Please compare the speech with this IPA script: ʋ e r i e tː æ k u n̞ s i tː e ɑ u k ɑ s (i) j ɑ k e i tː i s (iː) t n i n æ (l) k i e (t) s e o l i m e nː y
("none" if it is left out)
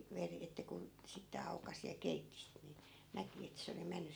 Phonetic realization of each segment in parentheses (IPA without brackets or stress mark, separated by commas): i, i, none, t